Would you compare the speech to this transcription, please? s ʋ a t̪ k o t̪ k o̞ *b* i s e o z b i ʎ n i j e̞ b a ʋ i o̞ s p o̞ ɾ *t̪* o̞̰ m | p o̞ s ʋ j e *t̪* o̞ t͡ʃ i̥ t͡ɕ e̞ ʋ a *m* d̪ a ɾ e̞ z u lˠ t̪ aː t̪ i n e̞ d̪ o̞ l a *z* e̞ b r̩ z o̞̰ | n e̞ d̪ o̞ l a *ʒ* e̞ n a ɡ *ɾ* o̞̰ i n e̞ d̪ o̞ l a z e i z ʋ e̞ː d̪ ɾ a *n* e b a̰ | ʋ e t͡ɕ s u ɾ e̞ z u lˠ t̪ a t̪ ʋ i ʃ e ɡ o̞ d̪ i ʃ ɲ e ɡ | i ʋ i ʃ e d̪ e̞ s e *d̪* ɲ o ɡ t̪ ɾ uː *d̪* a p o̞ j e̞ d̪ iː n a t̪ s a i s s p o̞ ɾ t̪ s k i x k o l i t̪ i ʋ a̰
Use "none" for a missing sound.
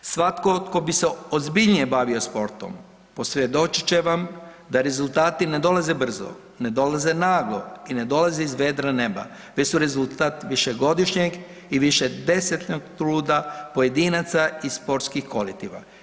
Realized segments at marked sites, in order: b, t̪, d̪, m, z, z, l, n, t̪, d̪

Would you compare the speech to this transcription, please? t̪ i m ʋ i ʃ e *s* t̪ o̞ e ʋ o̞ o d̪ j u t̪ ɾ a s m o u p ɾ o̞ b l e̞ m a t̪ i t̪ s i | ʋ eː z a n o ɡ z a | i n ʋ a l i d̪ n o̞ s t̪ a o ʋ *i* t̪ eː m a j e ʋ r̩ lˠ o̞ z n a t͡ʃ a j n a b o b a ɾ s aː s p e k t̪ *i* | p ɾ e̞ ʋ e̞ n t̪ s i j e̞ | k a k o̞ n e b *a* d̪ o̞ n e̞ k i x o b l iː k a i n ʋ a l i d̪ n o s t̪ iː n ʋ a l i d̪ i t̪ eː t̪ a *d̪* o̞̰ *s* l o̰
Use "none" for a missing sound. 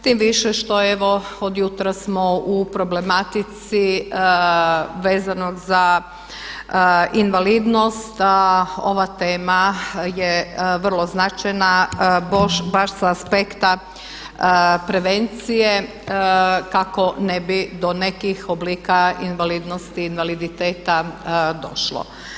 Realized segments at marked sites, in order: ʃ, a, a, i, d̪, ʃ

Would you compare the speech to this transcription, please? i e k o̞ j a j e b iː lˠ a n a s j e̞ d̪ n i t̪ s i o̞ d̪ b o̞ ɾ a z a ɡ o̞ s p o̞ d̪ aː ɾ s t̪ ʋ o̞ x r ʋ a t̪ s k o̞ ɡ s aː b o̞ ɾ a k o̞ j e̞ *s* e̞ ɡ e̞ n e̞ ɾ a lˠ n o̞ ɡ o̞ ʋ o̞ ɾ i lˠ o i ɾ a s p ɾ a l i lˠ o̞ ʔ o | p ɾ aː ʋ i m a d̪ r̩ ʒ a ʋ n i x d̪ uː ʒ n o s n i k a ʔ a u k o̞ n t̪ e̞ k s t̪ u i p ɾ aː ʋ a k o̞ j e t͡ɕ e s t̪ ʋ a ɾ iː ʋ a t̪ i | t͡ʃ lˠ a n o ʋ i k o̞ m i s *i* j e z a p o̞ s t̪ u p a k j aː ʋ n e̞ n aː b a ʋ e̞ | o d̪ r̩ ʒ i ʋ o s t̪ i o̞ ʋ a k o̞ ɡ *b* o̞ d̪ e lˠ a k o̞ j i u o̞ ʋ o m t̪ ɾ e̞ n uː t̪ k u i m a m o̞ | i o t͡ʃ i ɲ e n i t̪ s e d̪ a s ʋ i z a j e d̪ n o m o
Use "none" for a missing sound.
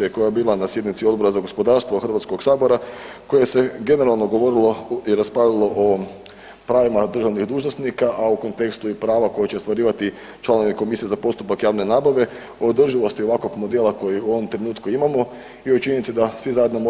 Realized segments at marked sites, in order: s, i, m

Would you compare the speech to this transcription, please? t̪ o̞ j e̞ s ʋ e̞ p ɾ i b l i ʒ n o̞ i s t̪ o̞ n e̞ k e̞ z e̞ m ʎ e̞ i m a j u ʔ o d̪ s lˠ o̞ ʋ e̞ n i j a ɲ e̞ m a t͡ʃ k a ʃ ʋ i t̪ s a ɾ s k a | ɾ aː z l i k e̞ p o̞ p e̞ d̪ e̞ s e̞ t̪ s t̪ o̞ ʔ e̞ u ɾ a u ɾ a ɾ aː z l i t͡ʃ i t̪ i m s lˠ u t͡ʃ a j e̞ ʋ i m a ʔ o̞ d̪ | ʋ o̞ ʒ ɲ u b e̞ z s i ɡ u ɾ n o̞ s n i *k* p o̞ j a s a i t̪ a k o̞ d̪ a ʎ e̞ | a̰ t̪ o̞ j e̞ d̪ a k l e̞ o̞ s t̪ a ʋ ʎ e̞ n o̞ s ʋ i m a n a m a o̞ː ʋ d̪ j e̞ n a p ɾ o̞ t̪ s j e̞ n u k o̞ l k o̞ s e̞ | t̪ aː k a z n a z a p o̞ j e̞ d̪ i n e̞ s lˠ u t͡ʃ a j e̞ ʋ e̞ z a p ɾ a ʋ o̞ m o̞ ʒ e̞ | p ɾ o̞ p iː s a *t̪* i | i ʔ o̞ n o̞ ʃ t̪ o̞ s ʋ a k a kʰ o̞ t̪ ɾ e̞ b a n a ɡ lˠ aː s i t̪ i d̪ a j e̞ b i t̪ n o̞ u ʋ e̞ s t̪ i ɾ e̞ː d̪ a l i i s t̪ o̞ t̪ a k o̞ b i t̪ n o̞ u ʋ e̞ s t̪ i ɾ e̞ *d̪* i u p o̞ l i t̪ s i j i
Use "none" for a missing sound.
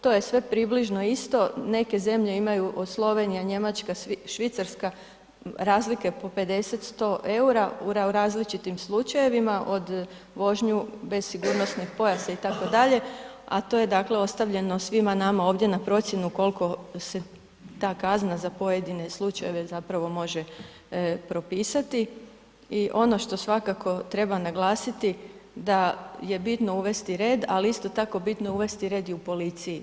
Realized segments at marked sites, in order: x, t̪, d̪

